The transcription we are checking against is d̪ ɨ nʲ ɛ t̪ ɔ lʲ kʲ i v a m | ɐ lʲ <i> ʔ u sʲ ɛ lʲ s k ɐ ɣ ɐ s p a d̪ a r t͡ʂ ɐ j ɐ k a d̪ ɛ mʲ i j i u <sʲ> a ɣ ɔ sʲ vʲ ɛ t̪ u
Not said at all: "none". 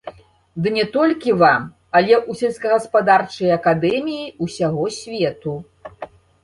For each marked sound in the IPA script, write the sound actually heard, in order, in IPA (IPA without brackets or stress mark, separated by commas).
ɛ, sʲ